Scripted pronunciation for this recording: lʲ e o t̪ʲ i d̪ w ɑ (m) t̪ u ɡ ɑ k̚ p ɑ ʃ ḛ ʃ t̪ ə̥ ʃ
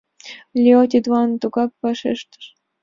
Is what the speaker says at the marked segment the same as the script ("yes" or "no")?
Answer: no